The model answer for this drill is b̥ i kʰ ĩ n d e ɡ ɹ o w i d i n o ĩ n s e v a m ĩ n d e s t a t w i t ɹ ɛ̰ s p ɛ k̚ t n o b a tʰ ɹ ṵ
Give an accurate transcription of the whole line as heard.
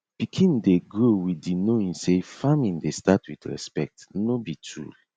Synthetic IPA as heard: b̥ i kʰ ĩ n d e ɡ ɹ o w i d i n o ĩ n s e f a m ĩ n d e s t a t w i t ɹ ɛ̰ s p ɛ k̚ t n o b i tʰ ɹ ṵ